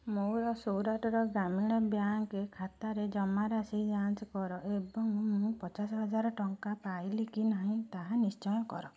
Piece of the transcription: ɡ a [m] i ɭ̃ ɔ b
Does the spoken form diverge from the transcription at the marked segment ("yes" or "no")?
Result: no